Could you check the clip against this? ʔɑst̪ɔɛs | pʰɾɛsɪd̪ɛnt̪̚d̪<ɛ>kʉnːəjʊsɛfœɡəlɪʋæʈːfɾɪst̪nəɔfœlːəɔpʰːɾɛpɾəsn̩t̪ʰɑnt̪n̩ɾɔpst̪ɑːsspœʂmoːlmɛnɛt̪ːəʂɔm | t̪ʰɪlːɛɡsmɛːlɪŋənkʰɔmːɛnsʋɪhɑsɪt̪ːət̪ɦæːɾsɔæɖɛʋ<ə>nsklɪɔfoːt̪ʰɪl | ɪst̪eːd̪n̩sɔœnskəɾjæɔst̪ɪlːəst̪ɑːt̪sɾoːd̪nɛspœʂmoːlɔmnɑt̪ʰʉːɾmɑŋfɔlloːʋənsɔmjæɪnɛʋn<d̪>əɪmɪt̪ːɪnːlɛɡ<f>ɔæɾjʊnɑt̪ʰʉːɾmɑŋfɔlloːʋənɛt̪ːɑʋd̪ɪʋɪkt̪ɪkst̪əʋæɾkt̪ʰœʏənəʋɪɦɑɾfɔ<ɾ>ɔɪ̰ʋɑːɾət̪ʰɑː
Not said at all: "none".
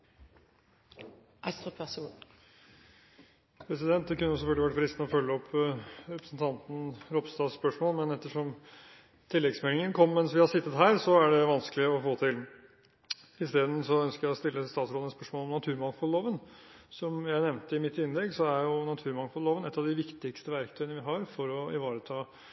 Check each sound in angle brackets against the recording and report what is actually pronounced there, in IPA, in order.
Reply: ɛ, ɑ, t̪, s, ɾ

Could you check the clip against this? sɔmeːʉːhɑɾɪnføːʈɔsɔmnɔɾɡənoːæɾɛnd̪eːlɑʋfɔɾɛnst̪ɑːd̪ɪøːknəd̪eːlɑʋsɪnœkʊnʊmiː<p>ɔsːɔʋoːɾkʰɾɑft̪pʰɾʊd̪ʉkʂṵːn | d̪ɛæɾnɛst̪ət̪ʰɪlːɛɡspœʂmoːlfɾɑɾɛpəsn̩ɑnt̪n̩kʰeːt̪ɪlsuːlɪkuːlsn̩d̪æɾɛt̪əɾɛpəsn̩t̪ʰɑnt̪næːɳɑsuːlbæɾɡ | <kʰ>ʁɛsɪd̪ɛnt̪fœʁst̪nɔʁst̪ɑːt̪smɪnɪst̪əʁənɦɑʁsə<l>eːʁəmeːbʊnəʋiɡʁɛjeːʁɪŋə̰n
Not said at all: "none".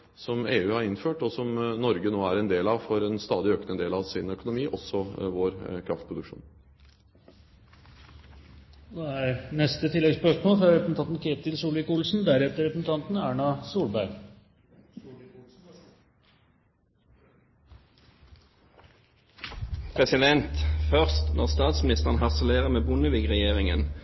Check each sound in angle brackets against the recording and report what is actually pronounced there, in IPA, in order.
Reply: ʔ, pʰ, l

